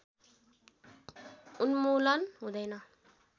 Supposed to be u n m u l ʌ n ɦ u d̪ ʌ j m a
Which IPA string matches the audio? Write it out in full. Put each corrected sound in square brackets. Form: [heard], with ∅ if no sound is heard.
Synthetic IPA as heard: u n m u l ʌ n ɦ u d̪ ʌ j [n] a